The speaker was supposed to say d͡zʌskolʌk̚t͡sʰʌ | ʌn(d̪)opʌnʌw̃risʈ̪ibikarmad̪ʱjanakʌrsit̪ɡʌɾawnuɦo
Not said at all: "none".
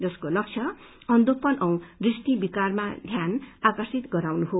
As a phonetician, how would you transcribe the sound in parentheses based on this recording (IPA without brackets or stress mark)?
d̪